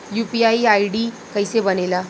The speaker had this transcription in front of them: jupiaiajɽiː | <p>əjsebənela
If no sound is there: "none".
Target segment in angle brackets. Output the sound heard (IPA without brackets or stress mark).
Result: k